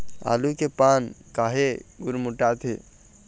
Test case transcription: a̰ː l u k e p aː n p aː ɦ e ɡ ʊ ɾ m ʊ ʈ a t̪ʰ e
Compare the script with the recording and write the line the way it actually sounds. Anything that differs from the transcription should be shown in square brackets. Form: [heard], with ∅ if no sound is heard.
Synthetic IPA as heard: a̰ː l u k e p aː n [k] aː ɦ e ɡ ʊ ɾ m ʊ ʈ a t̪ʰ e